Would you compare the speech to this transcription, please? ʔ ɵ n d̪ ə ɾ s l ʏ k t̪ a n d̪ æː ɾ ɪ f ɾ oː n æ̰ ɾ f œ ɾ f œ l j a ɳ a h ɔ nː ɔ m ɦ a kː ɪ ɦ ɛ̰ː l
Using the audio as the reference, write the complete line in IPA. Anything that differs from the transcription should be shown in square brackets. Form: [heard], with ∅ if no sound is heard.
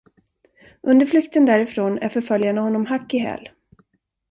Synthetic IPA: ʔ ɵ n d̪ ə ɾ [f] l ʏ k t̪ [ə] n d̪ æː ɾ ɪ f ɾ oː n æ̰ ɾ f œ ɾ f œ l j a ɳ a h ɔ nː ɔ m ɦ a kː ɪ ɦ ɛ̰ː l